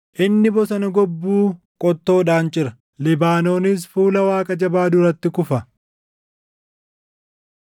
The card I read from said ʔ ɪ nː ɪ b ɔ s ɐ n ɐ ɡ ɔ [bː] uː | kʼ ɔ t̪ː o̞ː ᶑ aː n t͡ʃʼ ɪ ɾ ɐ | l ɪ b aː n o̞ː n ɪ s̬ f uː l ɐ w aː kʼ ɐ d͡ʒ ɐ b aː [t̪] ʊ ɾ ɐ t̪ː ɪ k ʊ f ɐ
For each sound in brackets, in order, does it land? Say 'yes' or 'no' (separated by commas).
yes, no